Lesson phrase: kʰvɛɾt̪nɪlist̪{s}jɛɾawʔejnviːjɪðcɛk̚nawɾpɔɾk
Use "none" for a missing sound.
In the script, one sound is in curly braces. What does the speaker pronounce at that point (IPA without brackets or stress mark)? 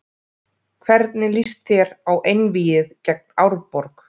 θ